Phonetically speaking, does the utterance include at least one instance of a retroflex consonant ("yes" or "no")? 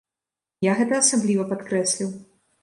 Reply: no